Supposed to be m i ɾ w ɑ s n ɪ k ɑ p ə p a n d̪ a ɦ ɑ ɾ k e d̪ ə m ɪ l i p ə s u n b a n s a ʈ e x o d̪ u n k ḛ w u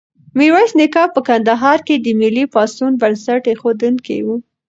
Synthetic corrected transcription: m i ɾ w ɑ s n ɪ k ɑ p ə k a n d̪ a ɦ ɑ ɾ k e d̪ ə m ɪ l i p ɑ s u n b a n s a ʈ e x o d̪ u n k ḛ w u

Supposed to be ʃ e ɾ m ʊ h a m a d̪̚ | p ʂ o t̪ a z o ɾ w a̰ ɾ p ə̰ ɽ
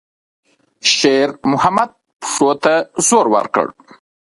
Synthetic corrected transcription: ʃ e ɾ m ʊ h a m a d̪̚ | p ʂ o t̪ a z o ɾ w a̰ ɾ k ə̰ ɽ

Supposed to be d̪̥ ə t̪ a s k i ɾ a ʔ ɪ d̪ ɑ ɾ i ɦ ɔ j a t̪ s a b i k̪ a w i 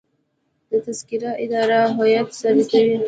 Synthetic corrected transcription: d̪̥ ə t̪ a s k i ɾ a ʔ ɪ d̪ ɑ ɾ a ɦ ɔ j a t̪ s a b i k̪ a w i

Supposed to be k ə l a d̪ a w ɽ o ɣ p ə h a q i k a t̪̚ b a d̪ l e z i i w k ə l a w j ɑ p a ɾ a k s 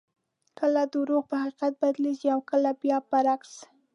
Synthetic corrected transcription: k ə l a d̪ ə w ɾ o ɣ p ə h a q i q a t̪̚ b a d̪ l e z i a w k ə l a b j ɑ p a ɾ a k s

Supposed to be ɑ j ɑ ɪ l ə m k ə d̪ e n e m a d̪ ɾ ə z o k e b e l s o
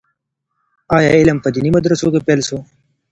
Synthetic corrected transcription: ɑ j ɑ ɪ l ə m p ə d̪ i n i m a d̪ ɾ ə s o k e p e l s o

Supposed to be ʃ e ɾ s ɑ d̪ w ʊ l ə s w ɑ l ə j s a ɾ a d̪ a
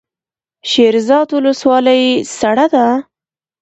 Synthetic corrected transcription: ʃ e ɾ z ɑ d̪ w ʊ l ə s w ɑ l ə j s a ɽ a d̪ a

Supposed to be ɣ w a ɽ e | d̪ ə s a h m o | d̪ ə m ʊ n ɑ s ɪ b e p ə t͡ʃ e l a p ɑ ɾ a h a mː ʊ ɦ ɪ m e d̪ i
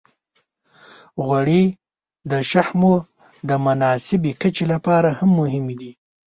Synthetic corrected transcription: ɣ w a ɽ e | d̪ ə ʃ a h m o | d̪ ə m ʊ n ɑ s ɪ b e k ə t͡ʃ e l a p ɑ ɾ a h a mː ʊ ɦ ɪ m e d̪ i

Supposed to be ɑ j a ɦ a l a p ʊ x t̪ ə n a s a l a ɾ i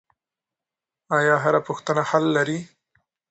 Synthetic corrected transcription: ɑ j ɑ ɦ a ɾ a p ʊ x t̪ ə n a h a lː a ɾ i

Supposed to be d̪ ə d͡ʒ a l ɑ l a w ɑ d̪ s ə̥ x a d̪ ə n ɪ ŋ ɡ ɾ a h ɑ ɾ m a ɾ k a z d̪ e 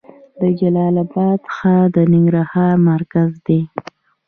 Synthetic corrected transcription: d̪ ə d͡ʒ a l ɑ l a b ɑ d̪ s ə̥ x a d̪ ə n ɪ ŋ ɡ ɾ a h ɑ ɾ m a ɾ k a z d̪ e

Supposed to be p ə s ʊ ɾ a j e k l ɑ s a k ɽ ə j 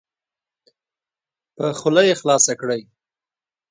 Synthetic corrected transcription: p ə x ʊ l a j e x l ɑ s a k ɽ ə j

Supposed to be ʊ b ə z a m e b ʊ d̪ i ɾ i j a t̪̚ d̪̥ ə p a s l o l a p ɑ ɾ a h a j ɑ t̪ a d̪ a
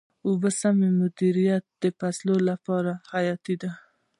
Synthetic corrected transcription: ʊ b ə s a m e m ʊ d̪ i ɾ i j a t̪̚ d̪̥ ə p a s l o l a p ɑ ɾ a h a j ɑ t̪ i d̪ a

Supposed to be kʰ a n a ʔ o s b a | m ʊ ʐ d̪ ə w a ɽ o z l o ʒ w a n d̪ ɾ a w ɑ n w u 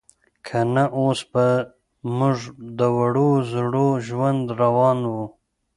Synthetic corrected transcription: kʰ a n a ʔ o s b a | m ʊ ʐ d̪ ə w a ɽ o z ɽ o ʒ w a n d̪ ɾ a w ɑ n w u

